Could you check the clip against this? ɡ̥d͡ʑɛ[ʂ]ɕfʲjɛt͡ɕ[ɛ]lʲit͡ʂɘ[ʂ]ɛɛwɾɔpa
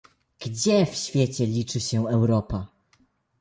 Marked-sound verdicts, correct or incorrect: incorrect, correct, incorrect

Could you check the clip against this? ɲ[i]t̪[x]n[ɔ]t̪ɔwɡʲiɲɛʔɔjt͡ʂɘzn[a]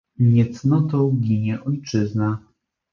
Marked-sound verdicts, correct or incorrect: incorrect, incorrect, correct, correct

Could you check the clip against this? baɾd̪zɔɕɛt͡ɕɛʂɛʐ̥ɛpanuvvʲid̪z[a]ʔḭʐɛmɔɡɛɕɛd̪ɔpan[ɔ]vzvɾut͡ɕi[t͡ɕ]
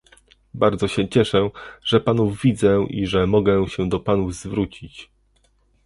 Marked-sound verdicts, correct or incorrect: incorrect, incorrect, correct

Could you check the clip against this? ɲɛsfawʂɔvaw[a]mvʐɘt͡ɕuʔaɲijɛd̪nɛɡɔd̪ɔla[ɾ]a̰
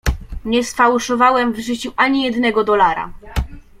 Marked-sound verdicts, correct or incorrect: incorrect, correct

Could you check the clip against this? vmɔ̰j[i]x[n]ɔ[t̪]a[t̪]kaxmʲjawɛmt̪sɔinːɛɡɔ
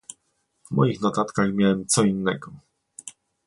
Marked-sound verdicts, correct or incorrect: correct, correct, correct, correct

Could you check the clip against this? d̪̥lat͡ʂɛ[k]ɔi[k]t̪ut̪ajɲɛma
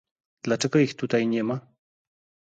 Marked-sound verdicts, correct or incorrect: incorrect, incorrect

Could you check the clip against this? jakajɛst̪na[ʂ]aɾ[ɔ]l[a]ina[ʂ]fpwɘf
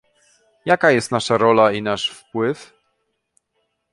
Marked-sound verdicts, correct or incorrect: correct, correct, correct, correct

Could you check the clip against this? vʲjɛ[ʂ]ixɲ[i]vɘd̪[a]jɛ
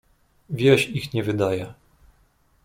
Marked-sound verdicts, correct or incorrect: incorrect, incorrect, correct

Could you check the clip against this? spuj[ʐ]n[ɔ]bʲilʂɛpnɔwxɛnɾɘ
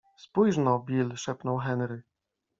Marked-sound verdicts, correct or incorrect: correct, correct

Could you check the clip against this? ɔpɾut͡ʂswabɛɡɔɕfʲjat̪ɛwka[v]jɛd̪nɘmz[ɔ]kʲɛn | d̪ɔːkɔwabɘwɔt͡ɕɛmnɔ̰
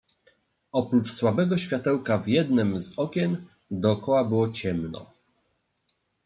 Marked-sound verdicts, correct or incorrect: correct, correct

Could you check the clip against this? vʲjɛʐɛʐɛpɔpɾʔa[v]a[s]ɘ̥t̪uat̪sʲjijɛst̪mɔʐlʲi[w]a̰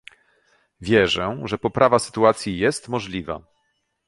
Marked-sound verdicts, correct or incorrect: correct, correct, incorrect

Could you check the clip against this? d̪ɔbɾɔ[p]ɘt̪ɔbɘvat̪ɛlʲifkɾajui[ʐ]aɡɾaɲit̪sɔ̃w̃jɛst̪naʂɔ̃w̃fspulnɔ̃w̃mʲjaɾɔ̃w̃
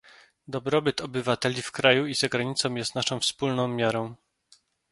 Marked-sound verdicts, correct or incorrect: incorrect, incorrect

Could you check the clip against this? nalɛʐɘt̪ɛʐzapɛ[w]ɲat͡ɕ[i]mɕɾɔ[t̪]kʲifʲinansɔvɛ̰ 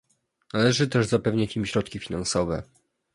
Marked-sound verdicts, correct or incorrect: incorrect, correct, correct

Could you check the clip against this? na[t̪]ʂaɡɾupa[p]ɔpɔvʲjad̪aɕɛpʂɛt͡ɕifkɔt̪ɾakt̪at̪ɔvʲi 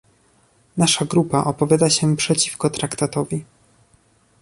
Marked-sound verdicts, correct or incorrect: incorrect, incorrect

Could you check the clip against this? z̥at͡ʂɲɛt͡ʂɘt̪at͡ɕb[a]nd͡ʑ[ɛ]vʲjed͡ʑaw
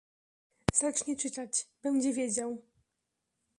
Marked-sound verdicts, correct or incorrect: incorrect, correct

